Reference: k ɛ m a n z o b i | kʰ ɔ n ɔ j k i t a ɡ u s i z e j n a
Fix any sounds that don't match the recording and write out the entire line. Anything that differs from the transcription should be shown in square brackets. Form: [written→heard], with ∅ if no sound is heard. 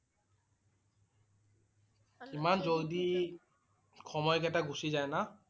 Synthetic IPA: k [ɛ→i] m a n z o [b→d] i | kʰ ɔ [n→m] ɔ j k [i→ɛ] t a ɡ u s i z [e→a] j n a